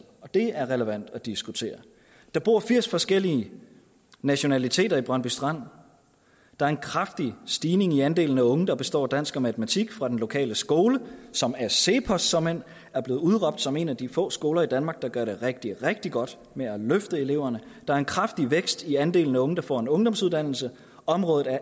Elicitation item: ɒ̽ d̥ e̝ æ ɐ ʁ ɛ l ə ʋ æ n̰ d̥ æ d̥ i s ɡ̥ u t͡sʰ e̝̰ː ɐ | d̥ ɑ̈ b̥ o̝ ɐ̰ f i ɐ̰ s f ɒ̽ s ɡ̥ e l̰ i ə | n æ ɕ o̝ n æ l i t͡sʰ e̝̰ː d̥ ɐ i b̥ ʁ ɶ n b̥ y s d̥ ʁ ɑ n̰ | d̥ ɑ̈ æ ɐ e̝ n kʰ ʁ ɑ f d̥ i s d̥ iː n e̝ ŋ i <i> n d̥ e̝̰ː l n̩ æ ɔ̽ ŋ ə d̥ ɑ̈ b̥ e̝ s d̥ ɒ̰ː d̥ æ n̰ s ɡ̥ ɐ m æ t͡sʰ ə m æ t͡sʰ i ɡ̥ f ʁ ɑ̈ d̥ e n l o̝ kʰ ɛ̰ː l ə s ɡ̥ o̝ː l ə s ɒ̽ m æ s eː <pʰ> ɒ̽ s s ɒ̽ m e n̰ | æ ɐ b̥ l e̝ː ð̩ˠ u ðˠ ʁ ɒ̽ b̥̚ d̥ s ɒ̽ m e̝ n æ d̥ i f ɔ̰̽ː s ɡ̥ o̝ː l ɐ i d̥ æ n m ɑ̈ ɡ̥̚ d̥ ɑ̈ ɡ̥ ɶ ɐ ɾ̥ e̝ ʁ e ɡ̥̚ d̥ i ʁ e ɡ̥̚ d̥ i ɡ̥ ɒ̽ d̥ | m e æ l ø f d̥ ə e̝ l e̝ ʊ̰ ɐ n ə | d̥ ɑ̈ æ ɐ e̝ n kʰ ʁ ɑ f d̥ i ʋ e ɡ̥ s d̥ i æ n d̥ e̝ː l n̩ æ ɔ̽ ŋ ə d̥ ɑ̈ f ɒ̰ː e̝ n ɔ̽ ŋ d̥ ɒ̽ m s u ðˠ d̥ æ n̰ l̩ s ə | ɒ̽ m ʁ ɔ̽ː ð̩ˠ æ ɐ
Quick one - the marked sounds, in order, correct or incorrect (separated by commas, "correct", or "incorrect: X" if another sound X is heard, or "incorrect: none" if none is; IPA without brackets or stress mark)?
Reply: incorrect: æ, correct